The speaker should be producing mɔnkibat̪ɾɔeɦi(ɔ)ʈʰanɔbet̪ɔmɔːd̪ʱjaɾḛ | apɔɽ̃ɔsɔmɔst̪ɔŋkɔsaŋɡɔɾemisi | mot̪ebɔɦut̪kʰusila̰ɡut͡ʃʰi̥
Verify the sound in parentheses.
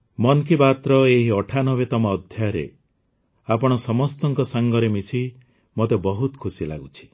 correct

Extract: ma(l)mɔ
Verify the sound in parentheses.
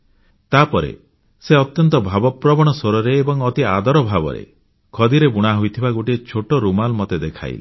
correct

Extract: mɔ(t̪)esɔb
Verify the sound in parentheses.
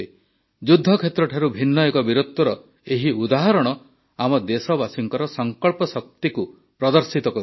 incorrect: d̪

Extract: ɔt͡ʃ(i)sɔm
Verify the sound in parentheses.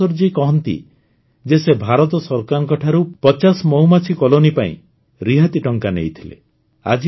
incorrect: a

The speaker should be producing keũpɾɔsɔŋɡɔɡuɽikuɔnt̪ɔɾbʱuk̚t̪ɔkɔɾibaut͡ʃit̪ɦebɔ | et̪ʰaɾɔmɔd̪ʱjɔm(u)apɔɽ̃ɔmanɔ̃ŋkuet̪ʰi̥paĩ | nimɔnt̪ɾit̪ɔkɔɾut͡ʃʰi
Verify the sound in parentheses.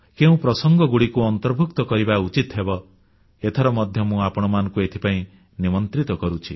incorrect: ũ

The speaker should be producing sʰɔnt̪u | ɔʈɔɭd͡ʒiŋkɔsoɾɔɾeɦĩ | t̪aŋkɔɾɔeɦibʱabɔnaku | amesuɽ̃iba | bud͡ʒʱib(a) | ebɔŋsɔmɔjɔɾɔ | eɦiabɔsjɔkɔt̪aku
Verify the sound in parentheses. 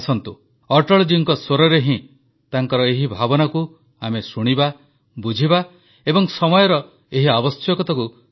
correct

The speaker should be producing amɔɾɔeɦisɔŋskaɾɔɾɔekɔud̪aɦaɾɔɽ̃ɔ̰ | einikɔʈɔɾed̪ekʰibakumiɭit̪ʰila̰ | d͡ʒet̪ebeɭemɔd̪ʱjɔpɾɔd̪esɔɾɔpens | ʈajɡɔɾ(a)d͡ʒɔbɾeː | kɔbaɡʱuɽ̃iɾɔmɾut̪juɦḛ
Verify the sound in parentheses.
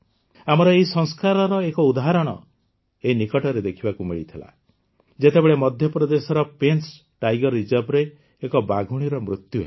incorrect: i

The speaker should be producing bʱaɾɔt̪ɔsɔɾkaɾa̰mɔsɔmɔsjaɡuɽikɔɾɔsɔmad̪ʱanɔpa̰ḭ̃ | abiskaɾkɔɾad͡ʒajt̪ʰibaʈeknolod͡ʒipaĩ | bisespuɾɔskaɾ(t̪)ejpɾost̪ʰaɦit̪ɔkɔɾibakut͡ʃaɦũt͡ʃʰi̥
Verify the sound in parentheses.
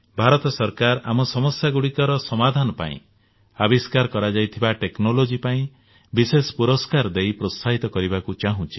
incorrect: d̪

